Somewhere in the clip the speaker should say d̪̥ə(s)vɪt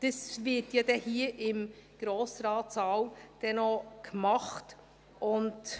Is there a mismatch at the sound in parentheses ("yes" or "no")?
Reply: no